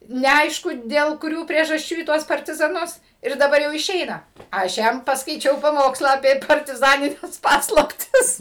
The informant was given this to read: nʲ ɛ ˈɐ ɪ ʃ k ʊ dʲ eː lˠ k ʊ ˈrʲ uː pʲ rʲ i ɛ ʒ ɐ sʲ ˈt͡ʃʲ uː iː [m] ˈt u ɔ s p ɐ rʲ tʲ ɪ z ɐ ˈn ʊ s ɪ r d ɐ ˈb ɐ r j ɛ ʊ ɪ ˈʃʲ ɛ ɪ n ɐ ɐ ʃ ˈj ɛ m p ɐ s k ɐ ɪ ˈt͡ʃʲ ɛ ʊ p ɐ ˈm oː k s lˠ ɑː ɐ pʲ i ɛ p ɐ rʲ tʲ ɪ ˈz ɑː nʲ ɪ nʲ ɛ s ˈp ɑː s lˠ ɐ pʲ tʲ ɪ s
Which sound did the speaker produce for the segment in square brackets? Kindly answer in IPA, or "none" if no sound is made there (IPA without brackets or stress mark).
none